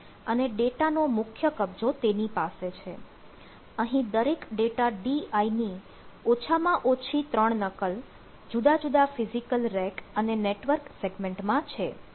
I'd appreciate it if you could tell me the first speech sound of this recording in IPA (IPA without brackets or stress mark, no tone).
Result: ə